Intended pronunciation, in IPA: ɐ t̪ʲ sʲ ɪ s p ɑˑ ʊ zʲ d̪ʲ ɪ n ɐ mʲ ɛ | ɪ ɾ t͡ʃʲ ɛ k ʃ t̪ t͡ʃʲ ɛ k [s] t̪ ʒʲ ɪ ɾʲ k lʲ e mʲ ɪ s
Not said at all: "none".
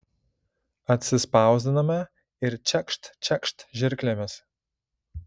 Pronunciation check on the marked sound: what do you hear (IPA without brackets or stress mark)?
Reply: ʃ